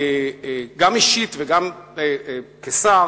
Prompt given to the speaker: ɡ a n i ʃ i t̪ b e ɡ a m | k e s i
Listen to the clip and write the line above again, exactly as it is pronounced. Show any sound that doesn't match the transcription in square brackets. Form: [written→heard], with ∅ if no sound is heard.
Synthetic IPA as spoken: ɡ a [n→m] i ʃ i t̪ [b→v] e ɡ a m | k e s [i→a]